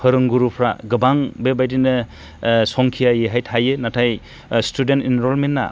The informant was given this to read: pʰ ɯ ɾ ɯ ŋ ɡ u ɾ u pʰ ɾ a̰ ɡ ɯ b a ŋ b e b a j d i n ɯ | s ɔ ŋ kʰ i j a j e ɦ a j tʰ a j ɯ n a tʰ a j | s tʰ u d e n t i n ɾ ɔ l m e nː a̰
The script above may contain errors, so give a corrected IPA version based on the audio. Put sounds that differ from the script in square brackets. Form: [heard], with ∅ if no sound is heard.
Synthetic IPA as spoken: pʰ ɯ ɾ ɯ ŋ ɡ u ɾ u pʰ ɾ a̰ ɡ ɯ b a ŋ b e b a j d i n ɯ | s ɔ ŋ kʰ i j a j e ɦ a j tʰ a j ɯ n a tʰ a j | s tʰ u d e n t i n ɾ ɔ l m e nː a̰